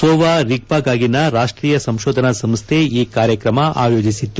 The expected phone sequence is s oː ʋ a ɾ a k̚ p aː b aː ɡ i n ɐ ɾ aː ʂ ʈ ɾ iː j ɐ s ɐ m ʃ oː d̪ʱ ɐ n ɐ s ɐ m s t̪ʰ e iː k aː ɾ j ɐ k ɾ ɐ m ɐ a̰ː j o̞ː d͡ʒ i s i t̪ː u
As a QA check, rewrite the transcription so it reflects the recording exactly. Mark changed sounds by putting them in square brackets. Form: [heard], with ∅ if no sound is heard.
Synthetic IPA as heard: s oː ʋ a ɾ [i] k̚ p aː [ɡ] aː ɡ i n ɐ ɾ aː ʂ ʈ ɾ iː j ɐ s ɐ m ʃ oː d̪ʱ ɐ n ɐ s ɐ m s t̪ʰ e iː k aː ɾ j ɐ k ɾ ɐ m ɐ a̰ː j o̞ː d͡ʒ i s i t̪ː u